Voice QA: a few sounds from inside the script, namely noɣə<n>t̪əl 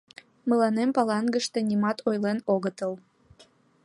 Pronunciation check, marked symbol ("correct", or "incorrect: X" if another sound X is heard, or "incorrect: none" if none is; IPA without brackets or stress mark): incorrect: none